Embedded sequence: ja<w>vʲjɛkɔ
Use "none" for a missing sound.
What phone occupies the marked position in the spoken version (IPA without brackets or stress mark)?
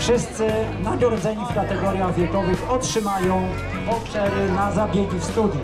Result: ɣ